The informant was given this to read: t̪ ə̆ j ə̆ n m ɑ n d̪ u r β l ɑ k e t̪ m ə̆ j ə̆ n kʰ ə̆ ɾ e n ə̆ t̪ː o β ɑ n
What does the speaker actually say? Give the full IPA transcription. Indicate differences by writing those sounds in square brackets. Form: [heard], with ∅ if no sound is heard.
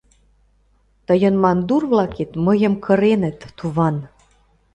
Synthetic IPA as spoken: t̪ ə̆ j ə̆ n m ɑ n d̪ u r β l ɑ k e t̪ m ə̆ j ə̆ [m] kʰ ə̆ ɾ e n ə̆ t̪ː [u] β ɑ n